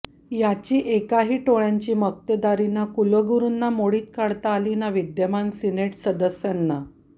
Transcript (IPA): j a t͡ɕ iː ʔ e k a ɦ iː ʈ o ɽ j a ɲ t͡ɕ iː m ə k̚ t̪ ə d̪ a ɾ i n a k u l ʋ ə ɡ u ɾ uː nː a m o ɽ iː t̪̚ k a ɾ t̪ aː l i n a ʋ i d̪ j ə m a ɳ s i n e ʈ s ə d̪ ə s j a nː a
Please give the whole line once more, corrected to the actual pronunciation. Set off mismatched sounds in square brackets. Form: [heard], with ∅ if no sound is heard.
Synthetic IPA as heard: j a t͡ɕ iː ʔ e k a ɦ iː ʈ o [ɭ] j a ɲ t͡ɕ iː m ə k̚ t̪ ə d̪ a ɾ i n a k u l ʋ ə ɡ u ɾ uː nː a m o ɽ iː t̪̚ k a [ɽ] t̪ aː l i n a ʋ i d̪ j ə m a [n] s i n e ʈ s ə d̪ ə s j a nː a